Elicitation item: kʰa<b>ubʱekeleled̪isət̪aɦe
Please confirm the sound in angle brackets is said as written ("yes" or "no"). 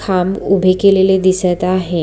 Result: no